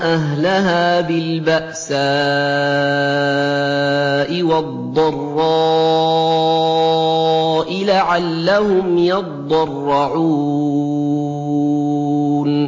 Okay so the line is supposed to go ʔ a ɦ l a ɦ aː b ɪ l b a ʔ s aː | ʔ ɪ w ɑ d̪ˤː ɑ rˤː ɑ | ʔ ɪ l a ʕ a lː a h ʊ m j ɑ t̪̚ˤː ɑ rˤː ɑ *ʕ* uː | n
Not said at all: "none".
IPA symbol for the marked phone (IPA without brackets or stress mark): ʕ